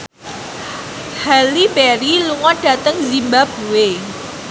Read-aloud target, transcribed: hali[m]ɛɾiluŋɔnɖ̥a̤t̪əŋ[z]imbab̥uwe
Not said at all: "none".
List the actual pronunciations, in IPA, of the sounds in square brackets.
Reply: b, z

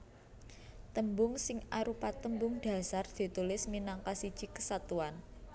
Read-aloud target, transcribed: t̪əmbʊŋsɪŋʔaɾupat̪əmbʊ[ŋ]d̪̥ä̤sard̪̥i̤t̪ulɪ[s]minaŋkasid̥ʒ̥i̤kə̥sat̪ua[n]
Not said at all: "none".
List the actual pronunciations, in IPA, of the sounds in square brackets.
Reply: ŋ, s, n

